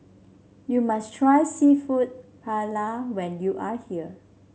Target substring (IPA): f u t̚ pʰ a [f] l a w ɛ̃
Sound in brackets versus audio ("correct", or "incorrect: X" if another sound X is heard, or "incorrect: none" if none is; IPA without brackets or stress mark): incorrect: none